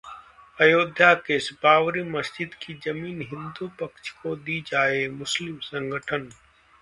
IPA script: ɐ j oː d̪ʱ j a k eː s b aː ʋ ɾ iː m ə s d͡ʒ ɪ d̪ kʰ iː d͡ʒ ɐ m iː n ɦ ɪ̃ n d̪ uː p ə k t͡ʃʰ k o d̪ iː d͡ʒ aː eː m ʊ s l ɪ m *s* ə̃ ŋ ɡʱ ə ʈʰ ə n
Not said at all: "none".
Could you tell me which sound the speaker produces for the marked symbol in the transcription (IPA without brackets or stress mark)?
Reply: s